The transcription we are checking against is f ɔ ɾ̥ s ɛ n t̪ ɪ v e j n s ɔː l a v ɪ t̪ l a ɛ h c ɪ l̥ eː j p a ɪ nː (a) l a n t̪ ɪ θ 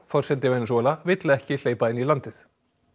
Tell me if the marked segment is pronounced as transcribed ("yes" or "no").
no